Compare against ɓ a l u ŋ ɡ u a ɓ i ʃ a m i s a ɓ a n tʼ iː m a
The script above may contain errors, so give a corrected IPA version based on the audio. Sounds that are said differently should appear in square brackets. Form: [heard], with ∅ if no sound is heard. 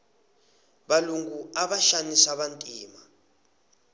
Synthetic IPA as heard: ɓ a l u ŋ ɡ u a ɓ [a] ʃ a [n] i s a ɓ a n tʼ iː m a